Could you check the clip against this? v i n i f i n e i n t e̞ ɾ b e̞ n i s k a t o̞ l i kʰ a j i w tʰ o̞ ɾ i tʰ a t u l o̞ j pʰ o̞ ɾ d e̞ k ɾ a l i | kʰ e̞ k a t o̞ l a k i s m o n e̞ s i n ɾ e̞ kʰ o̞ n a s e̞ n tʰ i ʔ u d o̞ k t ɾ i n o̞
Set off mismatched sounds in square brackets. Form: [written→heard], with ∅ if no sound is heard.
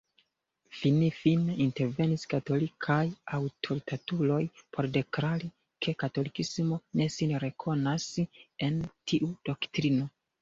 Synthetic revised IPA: [v→f] i n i f i n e i n t e̞ ɾ [b→v] e̞ n i s k a t o̞ l i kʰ a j [i→a] w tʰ o̞ ɾ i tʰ a t u l o̞ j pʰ o̞ ɾ d e̞ k ɾ a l i | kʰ e̞ k a t o̞ l [a→i] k i s m o n e̞ s i n ɾ e̞ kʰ o̞ n a s e̞ n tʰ i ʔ u d o̞ k t ɾ i n o̞